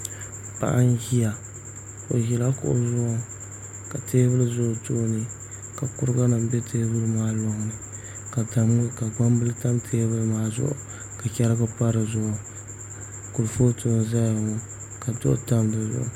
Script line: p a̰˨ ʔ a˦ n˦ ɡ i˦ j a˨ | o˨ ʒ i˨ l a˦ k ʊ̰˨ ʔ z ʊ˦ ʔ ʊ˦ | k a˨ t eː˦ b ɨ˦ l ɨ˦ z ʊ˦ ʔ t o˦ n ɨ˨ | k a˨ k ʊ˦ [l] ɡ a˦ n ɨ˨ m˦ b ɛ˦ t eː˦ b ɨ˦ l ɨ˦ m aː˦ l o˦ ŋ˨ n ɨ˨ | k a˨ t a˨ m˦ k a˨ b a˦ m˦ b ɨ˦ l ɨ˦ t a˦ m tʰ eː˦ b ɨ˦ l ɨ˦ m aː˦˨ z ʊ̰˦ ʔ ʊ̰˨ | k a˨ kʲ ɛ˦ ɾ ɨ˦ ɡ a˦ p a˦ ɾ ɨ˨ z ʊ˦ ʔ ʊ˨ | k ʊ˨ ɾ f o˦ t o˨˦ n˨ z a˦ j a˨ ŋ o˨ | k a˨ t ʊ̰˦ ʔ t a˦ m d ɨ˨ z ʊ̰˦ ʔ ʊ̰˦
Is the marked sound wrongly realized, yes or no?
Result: yes